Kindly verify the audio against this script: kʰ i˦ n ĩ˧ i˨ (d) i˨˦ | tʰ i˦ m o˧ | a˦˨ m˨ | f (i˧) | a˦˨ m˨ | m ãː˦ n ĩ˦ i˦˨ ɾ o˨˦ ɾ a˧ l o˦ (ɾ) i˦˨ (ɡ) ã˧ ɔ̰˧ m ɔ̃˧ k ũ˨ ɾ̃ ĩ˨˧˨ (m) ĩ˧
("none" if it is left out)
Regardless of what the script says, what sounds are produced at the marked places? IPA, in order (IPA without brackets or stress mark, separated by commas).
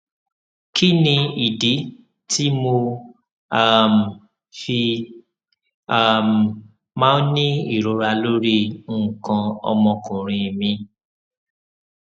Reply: d, i˧, ɾ, k, m